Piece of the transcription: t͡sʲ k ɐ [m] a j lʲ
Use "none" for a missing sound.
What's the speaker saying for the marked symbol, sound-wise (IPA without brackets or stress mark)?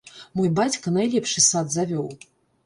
n